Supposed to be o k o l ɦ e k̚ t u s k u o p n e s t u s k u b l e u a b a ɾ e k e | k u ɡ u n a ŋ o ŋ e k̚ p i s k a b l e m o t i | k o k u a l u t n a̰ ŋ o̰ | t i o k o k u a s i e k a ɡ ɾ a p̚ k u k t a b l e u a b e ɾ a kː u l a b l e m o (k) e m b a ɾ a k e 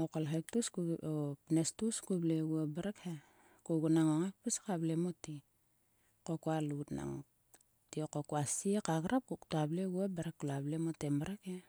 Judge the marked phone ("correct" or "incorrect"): incorrect